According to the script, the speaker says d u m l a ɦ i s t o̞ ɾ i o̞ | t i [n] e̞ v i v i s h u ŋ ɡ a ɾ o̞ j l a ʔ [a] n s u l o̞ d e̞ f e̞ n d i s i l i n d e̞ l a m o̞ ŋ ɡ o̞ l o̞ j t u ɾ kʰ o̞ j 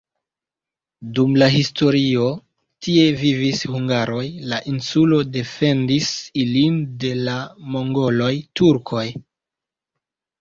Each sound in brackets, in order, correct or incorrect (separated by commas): incorrect, incorrect